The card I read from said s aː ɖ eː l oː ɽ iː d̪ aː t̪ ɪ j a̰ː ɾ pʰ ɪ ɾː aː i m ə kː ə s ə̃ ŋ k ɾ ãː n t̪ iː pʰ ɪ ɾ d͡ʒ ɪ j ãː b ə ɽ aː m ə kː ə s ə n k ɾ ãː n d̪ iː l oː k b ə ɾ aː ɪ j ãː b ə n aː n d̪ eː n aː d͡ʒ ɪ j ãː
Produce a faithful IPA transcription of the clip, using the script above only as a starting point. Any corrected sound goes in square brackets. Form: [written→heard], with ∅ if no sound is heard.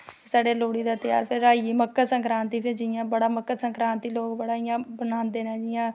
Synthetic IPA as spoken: s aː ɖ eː l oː ɽ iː d̪ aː t̪ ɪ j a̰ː ɾ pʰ ɪ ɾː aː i m ə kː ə s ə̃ ŋ k ɾ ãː n t̪ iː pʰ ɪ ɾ d͡ʒ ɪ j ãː b ə ɽ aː m ə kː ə s ə [n→ŋ] k ɾ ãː n [d̪→t̪] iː l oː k b ə [ɾ→ɽ] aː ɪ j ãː b ə n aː n d̪ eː n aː d͡ʒ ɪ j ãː